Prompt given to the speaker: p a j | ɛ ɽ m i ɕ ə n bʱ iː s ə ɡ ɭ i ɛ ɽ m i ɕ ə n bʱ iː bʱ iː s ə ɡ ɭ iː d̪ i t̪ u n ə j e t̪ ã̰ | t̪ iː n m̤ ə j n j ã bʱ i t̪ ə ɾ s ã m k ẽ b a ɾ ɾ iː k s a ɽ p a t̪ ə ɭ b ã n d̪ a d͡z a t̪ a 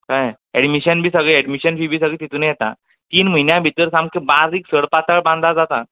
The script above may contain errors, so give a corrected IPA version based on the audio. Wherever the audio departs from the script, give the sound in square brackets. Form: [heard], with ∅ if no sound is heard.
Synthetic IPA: [k] a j | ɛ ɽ m i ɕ ə n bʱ iː s ə ɡ ɭ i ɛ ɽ m i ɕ ə n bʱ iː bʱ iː s ə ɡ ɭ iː [t̪] i t̪ u n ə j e t̪ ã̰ | t̪ iː n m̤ ə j n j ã bʱ i t̪ ə ɾ s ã m k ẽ b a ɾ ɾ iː k s [ə] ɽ p a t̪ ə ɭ b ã n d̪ a d͡z a t̪ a

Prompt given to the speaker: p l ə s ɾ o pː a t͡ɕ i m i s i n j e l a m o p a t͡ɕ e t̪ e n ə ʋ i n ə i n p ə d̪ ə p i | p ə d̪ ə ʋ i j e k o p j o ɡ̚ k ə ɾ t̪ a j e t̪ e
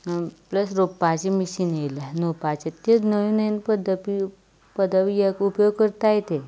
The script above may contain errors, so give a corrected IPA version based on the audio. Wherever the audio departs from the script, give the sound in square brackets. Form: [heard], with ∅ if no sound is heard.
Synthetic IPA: p l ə s ɾ o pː a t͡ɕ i m i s i n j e l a [n] o p a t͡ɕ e t̪ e n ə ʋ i n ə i n p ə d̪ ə p i | p ə d̪ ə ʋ i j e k [u] p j o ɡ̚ k ə ɾ t̪ a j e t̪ e

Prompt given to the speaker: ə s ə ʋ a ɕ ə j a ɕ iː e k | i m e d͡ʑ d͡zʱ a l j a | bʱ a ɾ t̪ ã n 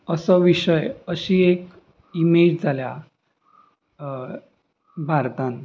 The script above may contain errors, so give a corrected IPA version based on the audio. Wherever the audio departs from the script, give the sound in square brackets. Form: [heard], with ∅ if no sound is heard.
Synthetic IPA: ə s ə ʋ [i] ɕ ə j [ə] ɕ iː e k | i m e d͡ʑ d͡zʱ a l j a | bʱ a ɾ t̪ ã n

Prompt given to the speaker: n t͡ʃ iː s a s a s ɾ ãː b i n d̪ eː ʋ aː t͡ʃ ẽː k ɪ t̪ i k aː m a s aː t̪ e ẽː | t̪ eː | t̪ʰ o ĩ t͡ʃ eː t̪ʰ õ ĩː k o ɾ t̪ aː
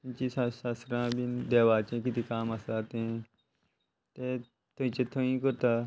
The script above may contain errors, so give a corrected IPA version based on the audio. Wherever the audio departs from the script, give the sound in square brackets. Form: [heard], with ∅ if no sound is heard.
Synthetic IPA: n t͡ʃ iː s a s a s ɾ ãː b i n d̪ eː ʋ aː t͡ʃ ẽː k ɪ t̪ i k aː m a s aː t̪ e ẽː | t̪ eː | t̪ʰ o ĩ t͡ʃ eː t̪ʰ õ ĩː k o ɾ t̪ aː

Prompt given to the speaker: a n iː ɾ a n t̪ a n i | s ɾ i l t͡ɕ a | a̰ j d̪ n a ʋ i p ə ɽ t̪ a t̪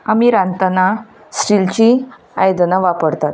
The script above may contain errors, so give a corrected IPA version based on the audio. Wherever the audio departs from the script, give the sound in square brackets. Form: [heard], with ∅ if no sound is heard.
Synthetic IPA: a [m] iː ɾ a n t̪ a n [a] | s ɾ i l t͡ɕ [i] | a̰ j d̪ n a ʋ [a] p ə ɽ t̪ a t̪

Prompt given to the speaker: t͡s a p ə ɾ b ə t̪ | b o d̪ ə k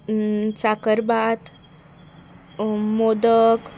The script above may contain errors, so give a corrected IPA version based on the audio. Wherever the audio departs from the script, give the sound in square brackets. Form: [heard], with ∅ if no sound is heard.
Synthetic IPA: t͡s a [k] ə ɾ b [a] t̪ | [m] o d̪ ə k

